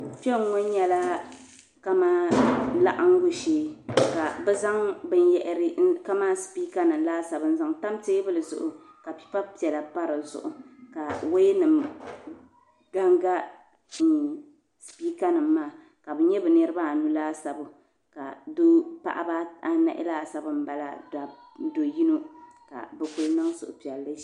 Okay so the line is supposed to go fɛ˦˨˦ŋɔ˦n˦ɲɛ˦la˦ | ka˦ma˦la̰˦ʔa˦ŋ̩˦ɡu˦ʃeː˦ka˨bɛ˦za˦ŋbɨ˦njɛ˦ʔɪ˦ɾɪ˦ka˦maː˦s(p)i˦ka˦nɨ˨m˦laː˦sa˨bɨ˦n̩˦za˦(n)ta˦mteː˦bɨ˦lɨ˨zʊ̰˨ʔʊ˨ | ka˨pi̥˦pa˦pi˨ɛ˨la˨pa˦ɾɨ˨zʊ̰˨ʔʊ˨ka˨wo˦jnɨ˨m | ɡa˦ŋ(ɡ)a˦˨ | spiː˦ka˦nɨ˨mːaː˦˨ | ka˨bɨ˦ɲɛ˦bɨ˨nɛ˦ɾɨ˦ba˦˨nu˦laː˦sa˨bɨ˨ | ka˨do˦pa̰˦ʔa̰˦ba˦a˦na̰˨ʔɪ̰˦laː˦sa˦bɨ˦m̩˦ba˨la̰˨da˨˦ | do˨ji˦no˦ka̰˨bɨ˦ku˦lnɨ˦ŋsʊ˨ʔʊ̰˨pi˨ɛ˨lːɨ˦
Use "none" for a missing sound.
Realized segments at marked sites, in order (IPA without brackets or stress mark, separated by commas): p, ŋ, ɡ